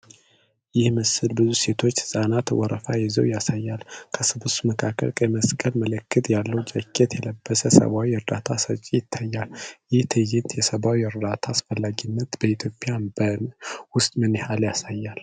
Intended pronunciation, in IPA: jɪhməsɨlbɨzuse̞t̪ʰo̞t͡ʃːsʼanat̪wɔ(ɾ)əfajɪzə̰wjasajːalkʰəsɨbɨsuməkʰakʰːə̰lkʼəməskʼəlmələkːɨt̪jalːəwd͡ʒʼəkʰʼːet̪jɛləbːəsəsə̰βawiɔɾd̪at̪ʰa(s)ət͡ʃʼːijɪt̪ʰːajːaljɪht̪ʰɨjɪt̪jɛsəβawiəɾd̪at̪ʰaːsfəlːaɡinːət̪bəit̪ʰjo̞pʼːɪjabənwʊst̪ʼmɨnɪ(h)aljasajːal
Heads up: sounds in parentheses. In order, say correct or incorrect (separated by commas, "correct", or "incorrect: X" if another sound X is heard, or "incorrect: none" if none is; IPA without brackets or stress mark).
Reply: correct, correct, correct